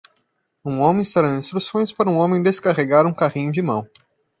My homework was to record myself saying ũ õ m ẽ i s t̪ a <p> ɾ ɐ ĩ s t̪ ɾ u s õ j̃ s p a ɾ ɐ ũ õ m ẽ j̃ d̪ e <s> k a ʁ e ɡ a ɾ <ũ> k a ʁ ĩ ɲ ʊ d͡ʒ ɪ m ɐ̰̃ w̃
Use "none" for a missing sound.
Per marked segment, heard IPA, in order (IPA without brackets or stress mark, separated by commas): none, s, ũ